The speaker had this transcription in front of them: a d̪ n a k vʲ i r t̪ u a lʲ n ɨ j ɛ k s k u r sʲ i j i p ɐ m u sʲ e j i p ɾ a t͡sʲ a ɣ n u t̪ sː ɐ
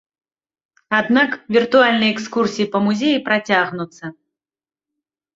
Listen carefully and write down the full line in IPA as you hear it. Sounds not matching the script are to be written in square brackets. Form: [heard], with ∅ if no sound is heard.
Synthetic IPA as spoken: a d̪ n a k vʲ i r t̪ u a lʲ n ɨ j ɛ k s k u r sʲ i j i p ɐ m u [zʲ] e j i p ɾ a t͡sʲ a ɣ n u t̪ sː ɐ